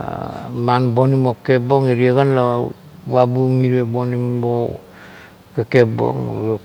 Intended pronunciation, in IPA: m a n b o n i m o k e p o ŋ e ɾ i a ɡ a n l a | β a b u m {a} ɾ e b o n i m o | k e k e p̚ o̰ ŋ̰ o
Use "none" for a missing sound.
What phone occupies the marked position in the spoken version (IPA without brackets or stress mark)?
i